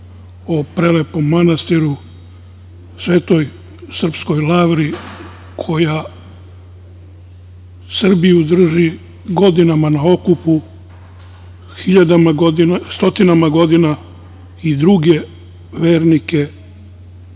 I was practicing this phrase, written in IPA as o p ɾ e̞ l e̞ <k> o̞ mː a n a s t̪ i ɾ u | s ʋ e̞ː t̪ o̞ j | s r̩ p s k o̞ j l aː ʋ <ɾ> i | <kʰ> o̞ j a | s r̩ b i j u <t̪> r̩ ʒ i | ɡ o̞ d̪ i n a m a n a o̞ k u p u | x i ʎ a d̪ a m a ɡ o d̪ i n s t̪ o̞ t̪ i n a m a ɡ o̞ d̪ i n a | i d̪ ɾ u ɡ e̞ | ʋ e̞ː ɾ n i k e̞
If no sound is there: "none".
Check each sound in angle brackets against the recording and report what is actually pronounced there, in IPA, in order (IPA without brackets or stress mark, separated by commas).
p, ɾ, kʰ, d̪